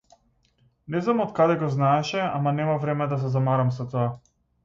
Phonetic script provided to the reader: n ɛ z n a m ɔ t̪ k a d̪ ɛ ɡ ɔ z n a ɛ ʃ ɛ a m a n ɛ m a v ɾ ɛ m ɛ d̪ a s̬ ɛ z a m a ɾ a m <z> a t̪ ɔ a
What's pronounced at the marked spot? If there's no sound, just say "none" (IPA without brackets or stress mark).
s